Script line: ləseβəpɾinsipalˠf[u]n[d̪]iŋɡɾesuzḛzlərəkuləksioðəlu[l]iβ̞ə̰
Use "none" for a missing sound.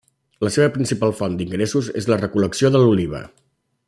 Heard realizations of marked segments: ɔ, d̪, l

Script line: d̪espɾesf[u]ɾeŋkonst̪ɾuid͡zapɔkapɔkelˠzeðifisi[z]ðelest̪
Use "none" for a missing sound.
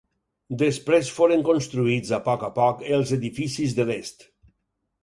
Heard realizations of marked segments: o, z

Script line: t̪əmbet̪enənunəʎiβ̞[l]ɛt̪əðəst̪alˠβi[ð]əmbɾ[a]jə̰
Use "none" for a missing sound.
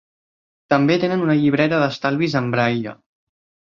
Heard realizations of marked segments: ɾ, z, a

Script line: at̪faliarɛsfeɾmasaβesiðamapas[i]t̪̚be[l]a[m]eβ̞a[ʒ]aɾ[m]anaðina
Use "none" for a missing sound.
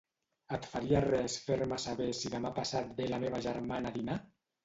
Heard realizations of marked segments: a, l, m, ʒ, m

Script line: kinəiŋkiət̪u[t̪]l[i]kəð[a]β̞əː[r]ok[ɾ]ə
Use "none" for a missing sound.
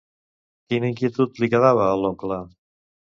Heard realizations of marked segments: t̪, i, a, l, l

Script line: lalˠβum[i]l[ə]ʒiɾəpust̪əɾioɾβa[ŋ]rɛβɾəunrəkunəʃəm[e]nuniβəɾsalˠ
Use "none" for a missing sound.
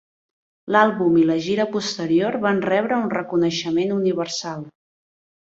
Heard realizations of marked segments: i, ə, n, e

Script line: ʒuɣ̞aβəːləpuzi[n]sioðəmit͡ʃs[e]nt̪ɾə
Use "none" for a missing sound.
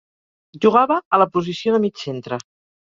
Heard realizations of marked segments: none, e

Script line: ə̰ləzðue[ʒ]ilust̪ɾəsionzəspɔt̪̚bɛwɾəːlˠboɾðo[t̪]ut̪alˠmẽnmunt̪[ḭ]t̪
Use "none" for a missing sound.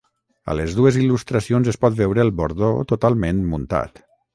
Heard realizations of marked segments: z, t̪, a̰

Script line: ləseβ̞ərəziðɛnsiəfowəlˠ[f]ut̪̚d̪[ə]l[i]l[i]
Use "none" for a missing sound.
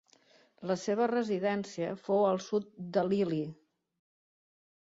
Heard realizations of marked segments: s, ə, i, i

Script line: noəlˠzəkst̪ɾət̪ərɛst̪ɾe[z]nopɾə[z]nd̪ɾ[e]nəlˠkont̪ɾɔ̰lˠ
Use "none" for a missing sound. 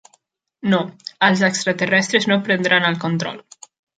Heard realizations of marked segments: z, none, a

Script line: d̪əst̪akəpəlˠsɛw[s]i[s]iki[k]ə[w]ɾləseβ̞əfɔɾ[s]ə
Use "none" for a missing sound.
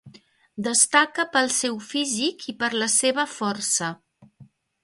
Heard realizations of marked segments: f, z, p, none, s

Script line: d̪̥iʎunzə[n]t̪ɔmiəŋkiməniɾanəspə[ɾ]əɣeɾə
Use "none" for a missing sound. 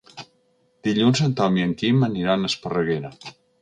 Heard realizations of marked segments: n, r

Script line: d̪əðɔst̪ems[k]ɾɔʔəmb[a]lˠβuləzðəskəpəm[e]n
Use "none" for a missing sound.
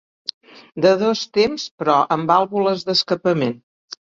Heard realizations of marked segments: p, a, e

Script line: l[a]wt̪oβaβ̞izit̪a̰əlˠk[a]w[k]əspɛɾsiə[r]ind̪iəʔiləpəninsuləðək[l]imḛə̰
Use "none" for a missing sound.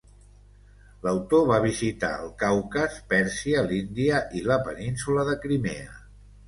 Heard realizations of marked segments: ə, a, k, l, ɾ

